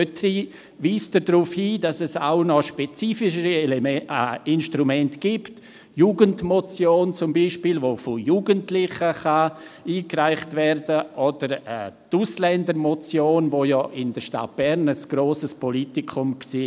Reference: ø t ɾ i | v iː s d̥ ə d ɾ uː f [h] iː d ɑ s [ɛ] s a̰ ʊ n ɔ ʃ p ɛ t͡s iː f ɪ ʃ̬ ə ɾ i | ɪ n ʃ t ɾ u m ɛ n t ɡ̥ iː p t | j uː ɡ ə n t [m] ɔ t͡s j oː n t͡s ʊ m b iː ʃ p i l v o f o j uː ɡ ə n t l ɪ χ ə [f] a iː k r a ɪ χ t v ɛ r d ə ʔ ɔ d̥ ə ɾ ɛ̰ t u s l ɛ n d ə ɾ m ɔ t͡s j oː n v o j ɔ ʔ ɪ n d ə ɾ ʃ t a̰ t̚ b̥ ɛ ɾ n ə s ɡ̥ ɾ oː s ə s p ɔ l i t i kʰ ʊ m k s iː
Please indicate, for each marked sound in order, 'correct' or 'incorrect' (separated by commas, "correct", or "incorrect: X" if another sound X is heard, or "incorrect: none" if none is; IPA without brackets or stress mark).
correct, correct, correct, incorrect: χ